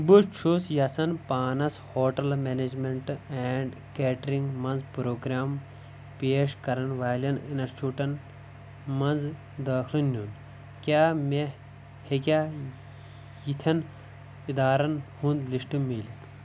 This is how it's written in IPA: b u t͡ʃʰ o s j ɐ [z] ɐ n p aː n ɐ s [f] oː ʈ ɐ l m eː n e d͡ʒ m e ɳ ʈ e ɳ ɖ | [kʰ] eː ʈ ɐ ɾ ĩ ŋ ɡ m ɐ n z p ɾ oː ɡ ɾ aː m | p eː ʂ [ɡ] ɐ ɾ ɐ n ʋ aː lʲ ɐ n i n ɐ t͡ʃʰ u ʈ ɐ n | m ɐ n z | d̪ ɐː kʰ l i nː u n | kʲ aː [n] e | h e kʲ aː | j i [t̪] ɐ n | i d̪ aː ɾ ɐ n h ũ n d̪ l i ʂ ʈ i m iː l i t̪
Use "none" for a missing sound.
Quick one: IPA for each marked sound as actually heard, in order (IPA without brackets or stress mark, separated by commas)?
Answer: s, h, k, k, m, t̪ʰ